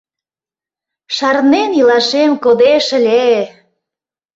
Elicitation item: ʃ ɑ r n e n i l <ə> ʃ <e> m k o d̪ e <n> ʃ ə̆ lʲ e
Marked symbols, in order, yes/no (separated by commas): no, yes, no